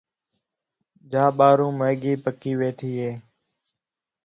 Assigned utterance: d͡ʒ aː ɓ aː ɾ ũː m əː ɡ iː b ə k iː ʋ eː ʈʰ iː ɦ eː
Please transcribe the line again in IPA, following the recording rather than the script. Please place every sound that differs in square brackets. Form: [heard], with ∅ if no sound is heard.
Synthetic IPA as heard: d͡ʒ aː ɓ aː ɾ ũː m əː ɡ iː [p] ə k iː ʋ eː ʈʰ iː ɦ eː